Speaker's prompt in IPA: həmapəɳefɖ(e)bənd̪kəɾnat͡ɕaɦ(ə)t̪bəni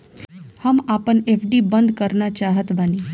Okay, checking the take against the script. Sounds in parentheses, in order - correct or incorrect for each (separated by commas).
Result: incorrect, correct